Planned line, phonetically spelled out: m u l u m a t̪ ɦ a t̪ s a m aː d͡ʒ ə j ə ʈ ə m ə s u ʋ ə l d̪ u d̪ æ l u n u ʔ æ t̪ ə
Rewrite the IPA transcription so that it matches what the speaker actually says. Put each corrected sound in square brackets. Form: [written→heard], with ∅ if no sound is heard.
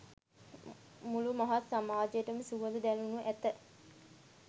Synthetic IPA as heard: m u l u m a [t̪→∅] ɦ a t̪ s a m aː d͡ʒ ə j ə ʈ ə m ə s u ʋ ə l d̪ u d̪ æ l u n u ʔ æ t̪ ə